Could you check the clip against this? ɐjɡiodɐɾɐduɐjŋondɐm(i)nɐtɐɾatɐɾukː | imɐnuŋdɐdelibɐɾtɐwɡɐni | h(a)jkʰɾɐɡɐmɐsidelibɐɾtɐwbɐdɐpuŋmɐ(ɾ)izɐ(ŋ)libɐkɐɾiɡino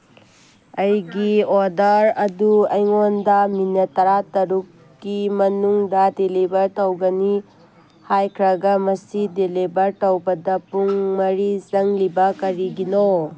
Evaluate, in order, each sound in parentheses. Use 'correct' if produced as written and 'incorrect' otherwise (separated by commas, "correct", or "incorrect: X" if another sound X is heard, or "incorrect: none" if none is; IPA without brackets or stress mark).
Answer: correct, correct, correct, correct